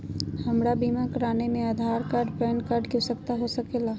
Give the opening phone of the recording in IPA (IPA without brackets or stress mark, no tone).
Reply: h